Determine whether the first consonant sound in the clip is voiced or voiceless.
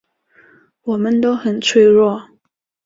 voiced